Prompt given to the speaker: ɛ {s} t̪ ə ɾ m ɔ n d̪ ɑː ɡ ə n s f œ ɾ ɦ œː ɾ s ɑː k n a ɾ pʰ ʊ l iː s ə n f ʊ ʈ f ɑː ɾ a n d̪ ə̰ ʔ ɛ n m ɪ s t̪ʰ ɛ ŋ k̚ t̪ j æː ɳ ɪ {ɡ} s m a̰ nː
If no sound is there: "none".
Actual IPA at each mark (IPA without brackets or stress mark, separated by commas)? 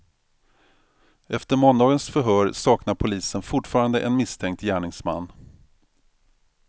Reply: f, ŋ